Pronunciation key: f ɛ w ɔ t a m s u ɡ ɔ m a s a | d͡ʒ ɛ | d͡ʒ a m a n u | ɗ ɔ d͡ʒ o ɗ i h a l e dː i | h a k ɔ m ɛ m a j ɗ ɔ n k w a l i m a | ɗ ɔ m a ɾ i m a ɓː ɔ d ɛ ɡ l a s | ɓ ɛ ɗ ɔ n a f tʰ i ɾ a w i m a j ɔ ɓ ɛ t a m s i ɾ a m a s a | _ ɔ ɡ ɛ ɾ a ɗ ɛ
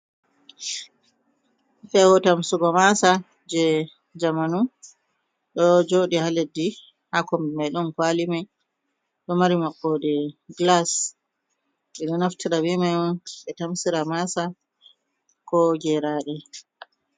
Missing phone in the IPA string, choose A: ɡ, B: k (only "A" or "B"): B